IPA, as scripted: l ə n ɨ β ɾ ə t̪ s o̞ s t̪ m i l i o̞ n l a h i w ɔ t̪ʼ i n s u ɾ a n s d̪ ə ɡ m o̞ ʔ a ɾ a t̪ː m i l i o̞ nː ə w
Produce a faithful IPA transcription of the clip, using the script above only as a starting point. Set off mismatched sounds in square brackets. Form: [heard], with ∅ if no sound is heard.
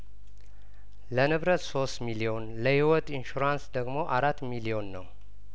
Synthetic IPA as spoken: l ə n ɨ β ɾ ə t̪ s o̞ s t̪ m i l i o̞ n l [ə] h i w ɔ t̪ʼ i n [ʃ] u ɾ a n s d̪ ə ɡ m o̞ ʔ a ɾ a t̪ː m i l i o̞ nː ə w

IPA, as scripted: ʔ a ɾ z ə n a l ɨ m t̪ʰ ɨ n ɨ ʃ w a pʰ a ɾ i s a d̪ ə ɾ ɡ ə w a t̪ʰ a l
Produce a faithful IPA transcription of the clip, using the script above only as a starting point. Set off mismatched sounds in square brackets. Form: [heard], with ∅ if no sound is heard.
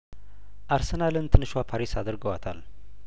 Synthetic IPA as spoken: ʔ a ɾ [s] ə n a l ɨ [n] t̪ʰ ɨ n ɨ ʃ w a pʰ a ɾ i s a d̪ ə ɾ ɡ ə w a t̪ʰ a l

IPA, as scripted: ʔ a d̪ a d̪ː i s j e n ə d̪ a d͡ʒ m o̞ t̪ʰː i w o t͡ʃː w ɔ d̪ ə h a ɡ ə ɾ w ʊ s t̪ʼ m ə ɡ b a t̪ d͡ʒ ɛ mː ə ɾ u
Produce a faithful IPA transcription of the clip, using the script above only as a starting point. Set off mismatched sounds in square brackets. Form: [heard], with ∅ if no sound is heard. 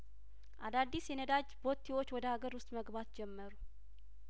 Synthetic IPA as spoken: ʔ a d̪ a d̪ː i s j [ɛ] n ə d̪ a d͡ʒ [b] o̞ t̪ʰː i w o t͡ʃː w ɔ d̪ ə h a ɡ ə ɾ w ʊ s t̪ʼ m ə ɡ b a t̪ d͡ʒ ɛ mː ə ɾ u

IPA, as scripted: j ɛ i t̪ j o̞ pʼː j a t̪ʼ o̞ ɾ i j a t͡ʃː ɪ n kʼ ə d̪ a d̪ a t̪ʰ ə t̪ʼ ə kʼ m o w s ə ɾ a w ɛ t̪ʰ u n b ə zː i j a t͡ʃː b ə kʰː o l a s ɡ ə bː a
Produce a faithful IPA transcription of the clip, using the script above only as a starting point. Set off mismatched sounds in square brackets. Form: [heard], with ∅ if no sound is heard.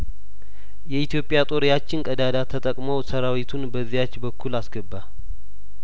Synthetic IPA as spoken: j ɛ i t̪ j o̞ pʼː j a t̪ʼ o̞ ɾ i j a t͡ʃː ɪ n kʼ ə d̪ a d̪ a t̪ʰ ə t̪ʼ ə kʼ m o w s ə ɾ a w [i] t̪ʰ u n b ə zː i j a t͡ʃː b ə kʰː [u] l a s ɡ ə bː a

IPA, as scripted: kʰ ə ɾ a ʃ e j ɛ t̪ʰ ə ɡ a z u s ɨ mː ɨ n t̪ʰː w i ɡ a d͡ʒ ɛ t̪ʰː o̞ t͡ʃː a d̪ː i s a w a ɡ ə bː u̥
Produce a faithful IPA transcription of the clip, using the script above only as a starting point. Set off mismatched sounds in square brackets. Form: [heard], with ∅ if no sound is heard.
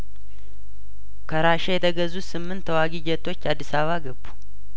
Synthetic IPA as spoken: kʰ ə ɾ a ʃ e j ɛ t̪ʰ ə ɡ [ə] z u s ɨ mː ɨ n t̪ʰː w [a] ɡ [i] d͡ʒ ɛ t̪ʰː o̞ t͡ʃː a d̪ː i s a [β] a ɡ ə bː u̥

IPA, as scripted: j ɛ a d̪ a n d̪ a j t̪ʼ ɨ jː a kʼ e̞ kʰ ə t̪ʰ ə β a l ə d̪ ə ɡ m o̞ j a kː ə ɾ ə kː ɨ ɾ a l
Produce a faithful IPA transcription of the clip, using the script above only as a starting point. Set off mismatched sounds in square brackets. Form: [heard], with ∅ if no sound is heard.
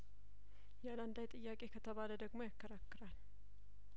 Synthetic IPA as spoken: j ɛ a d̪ a n d̪ a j t̪ʼ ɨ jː a kʼ e̞ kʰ ə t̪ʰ ə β a l ə d̪ ə ɡ m o̞ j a kː ə ɾ [a] kː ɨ ɾ a l

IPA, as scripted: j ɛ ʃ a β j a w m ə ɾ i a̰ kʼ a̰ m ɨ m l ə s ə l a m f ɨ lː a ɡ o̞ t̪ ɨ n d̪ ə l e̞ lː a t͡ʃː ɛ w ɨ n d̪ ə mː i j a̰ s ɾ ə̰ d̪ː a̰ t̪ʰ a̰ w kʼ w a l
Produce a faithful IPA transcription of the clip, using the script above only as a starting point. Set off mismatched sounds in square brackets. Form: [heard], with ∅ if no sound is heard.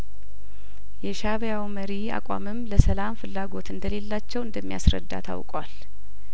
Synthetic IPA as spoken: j ɛ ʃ a β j a w m ə ɾ i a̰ kʼ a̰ m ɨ m l ə s ə l a m f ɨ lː a ɡ o̞ t̪ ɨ n d̪ ə l e̞ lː a t͡ʃː ɛ w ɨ n d̪ ə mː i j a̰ s ɾ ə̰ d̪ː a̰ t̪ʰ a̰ w kʼ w a l

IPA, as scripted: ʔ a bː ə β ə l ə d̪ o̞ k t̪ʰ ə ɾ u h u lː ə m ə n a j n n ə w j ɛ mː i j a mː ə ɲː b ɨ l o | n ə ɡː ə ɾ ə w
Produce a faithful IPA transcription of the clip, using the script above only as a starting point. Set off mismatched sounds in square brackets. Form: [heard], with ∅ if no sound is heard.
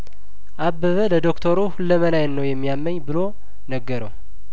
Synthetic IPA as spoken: ʔ a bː ə β ə l ə d̪ o̞ k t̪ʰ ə ɾ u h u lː ə m ə n a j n n ə w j ɛ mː i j a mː ə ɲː b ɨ l o | n ə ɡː ə ɾ ə w

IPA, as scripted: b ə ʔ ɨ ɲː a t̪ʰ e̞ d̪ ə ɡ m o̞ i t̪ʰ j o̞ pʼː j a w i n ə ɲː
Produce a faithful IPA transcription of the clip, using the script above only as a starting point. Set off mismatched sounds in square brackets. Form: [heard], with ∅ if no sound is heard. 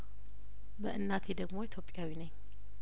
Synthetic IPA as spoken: b ə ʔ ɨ [nː] a t̪ʰ e̞ d̪ ə ɡ m o̞ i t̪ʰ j o̞ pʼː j a w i n ə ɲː

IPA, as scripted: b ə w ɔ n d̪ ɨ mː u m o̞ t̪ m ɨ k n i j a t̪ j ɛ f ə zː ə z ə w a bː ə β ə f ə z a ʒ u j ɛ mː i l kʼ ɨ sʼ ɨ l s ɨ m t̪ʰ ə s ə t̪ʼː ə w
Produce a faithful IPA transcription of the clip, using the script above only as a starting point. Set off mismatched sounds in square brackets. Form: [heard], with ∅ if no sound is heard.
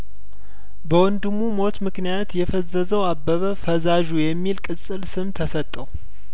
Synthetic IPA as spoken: b ə w ɔ n d̪ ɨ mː u m o̞ t̪ m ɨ k n i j a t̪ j ɛ f ə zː ə z ə w a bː ə β ə f ə z a ʒ u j ɛ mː i l kʼ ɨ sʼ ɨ l s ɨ m t̪ʰ ə s ə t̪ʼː ə w

